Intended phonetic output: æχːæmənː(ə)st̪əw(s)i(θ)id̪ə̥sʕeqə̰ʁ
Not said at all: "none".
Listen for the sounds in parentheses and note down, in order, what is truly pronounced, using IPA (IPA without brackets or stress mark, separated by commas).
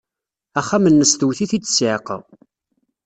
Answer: ə, θ, θ